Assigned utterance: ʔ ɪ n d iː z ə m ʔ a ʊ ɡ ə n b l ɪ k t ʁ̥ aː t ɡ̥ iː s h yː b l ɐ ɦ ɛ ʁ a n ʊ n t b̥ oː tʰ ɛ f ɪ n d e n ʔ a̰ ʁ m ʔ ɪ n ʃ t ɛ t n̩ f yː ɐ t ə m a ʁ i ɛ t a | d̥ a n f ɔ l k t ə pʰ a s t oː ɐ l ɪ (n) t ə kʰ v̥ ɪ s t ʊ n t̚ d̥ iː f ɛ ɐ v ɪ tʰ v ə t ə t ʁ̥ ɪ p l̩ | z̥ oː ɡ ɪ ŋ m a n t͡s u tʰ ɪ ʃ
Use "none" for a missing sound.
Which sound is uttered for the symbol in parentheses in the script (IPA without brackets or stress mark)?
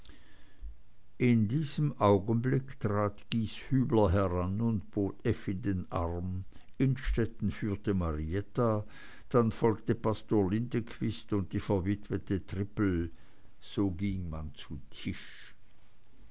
n